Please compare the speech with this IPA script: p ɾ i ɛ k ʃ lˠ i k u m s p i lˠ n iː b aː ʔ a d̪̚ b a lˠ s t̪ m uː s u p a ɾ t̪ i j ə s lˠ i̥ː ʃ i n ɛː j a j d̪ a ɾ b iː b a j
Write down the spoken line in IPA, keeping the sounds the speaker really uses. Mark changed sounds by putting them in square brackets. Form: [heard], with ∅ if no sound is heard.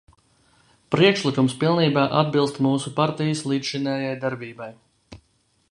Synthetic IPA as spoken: p ɾ i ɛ k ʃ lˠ i k u m s p i lˠ n iː b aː ʔ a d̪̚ b [i] lˠ s t̪ m uː s u p a ɾ t̪ i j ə s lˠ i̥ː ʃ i n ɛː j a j d̪ a ɾ b iː b a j